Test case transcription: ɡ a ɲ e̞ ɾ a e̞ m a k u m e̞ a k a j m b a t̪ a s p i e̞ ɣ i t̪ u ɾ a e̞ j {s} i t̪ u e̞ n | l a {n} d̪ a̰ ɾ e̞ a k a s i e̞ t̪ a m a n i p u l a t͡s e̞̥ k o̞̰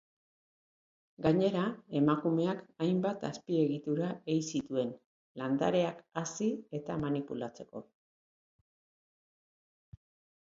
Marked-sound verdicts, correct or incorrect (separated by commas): correct, correct